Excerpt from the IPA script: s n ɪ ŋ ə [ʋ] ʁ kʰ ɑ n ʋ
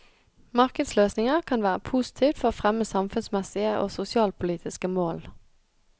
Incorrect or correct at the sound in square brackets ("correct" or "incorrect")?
incorrect